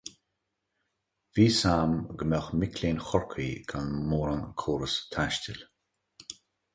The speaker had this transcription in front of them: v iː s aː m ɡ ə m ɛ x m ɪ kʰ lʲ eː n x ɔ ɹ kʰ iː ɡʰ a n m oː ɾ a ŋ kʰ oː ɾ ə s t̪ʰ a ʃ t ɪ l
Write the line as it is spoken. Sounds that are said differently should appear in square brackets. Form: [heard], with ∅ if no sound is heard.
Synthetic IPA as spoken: v iː s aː m ɡ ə m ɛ x m ɪ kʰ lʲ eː n x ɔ ɹ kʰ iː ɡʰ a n m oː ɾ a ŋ kʰ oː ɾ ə s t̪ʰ a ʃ t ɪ l

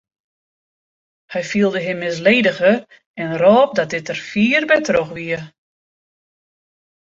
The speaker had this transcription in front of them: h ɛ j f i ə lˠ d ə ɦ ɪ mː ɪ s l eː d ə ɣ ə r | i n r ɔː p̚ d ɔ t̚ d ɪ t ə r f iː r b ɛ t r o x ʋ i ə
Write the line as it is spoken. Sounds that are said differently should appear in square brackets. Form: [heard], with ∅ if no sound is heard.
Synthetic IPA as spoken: h ɛ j f i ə lˠ d ə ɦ ɪ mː ɪ s l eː d ə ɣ ə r | [ɛ] n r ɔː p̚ d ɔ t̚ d ɪ t ə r f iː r b ɛ t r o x ʋ i ə

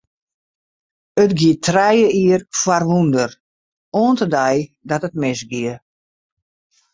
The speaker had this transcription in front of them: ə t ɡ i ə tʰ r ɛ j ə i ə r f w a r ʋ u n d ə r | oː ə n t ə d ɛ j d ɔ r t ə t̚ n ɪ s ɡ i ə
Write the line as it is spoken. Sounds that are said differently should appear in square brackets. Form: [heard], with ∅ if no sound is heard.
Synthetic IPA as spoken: ə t ɡ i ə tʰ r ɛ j ə i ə r f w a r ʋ u n d ə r | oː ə n t ə d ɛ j d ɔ [∅] t ə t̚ [m] ɪ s ɡ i ə

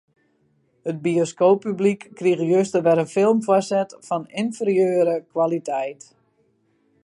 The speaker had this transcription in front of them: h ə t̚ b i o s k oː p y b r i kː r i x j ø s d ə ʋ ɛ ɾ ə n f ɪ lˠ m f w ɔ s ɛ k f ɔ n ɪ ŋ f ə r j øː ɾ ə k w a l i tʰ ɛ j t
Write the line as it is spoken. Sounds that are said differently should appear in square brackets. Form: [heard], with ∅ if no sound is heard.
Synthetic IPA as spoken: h ə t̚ b i o s k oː p y b [l] i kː r i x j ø s [t] ə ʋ ɛ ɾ ə n f ɪ lˠ m f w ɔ s ɛ [t] f ɔ n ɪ [n] f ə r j øː ɾ ə k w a l i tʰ ɛ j t

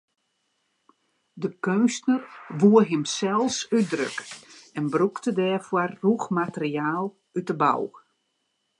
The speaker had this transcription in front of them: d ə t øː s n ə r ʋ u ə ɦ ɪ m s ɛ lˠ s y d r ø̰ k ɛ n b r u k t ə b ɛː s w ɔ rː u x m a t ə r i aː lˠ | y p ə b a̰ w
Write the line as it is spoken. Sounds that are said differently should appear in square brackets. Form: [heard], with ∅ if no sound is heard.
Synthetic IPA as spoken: d ə [k] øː s n ə r ʋ u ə ɦ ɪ m s ɛ lˠ s y d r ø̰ k ɛ n b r u k t ə [d] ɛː [f] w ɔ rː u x m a t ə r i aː lˠ | y [t] ə b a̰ w

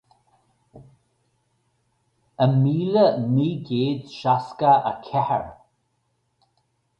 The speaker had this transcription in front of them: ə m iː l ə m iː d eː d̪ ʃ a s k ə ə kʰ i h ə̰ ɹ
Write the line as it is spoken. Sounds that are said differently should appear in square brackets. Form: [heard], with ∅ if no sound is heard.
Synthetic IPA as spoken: ə m iː l ə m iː [ɡ] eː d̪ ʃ a s k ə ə kʰ [ɛ] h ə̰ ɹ

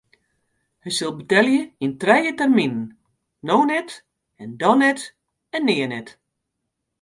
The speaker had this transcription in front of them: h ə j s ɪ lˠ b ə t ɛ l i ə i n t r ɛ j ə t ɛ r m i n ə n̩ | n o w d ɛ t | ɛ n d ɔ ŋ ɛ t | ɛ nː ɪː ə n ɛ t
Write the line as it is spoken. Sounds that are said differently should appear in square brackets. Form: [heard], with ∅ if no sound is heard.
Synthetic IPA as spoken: h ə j s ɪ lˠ b ə t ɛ l [j] ə i n t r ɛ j ə t ɛ r m i n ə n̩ | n o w [n] ɛ t | ɛ n d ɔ [n] ɛ t | ɛ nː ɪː ə n ɛ t

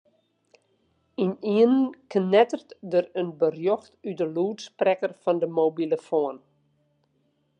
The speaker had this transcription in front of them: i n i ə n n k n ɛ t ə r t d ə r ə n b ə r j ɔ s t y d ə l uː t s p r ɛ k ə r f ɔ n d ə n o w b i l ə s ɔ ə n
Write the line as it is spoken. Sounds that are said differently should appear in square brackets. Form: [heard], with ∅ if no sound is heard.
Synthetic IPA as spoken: i n i ə n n k n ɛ t ə r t d ə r ə n b ə r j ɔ [x] t y d ə l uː t s p r ɛ k ə r f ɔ n d ə [m] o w b i l ə [f] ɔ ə n

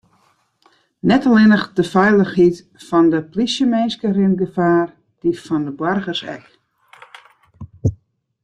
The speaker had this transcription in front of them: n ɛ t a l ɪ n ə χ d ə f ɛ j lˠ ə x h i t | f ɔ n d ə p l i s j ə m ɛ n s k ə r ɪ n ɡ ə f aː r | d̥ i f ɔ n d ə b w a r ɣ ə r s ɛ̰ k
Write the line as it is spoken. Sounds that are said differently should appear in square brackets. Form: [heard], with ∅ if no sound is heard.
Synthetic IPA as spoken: n ɛ t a l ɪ n ə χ d ə f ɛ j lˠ ə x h i t | f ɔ n d ə p l i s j ə m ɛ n s k ə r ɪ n ɡ ə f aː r | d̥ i f ɔ n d ə b w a r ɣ ə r s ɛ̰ k

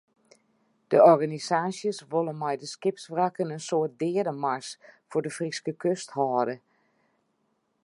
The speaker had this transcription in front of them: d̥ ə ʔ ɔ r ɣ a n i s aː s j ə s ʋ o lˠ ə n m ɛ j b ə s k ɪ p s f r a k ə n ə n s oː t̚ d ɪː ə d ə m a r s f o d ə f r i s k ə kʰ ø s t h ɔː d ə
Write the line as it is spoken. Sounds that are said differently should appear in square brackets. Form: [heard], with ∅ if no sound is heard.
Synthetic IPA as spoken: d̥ ə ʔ ɔ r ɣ a n i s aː s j ə s ʋ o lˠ ə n m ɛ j [d] ə s k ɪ p s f r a k ə n ə n s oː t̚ d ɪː ə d ə m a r s f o d ə f r i s k ə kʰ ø s t h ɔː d ə

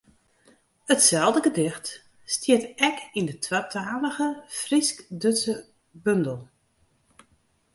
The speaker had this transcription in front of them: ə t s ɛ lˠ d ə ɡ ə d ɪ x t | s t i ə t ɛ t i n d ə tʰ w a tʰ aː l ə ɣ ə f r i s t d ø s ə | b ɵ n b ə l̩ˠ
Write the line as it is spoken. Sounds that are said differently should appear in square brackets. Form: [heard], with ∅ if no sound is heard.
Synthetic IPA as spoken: ə t s ɛ lˠ d ə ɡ ə d ɪ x t | s t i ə t ɛ [k] i n d ə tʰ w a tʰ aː l ə ɣ ə f r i s [k] d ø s ə | b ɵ n [d] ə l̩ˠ

